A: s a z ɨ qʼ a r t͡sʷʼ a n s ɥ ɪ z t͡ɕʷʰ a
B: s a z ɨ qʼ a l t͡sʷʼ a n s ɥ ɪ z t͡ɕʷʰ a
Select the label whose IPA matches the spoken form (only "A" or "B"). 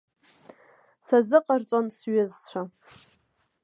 A